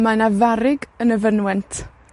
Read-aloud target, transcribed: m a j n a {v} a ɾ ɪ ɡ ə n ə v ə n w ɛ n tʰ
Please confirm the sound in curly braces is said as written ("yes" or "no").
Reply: yes